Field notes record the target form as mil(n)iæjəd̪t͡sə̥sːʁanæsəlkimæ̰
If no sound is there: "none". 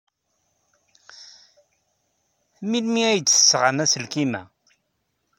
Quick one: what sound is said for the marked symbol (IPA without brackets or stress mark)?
m